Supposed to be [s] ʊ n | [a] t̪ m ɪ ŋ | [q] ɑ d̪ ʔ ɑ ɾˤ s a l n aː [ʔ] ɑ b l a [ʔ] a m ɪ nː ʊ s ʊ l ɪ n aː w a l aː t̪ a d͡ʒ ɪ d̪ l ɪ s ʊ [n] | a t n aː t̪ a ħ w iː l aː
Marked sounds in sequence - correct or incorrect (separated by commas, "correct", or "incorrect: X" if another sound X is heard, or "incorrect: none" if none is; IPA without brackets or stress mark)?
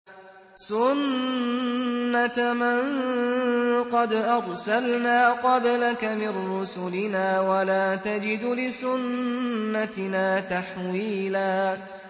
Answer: correct, correct, correct, incorrect: q, incorrect: k, incorrect: nː